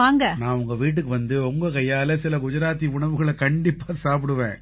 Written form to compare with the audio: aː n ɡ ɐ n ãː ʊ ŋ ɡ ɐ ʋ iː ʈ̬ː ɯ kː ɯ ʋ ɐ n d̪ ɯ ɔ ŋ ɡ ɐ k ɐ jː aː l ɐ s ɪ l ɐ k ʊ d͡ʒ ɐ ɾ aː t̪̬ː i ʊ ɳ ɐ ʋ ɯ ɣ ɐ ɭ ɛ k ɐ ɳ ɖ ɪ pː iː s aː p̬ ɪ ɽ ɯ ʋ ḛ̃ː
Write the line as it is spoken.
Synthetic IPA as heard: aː ŋ ɡ ɐ n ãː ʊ ŋ ɡ ɐ ʋ iː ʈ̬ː ɯ kː ɯ ʋ ɐ n d̪ ɯ ɔ ŋ ɡ ɐ k ɐ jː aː l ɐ s ɪ l ɐ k ʊ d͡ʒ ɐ ɾ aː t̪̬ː i ʊ ɳ ɐ ʋ ɯ ɣ ɐ ɭ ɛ k ɐ ɳ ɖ ɪ pː aː s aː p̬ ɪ ɽ ɯ ʋ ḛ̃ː